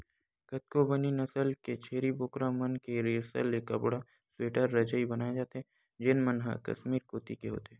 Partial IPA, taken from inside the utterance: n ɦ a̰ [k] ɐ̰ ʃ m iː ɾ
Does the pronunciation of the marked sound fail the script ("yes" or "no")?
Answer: no